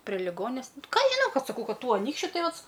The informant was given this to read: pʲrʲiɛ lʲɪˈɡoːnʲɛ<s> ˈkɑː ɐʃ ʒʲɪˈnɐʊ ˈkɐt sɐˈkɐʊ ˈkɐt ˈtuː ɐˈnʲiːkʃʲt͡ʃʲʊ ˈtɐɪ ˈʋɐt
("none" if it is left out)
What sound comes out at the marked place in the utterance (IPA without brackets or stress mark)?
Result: s